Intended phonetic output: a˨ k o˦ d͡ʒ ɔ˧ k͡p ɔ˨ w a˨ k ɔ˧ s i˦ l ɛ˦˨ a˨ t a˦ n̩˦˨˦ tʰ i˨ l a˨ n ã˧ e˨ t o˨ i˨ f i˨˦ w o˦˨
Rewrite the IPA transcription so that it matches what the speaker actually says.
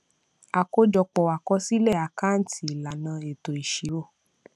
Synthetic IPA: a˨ k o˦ d͡ʒ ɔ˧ k͡p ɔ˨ w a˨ k ɔ˧ s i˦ l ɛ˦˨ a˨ k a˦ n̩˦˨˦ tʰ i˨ l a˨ n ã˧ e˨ t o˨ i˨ ʃ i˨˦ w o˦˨